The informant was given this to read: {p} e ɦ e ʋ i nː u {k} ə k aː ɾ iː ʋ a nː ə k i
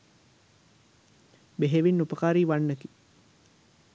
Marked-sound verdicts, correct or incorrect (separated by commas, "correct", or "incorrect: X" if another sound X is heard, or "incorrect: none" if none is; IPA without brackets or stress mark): incorrect: b, incorrect: p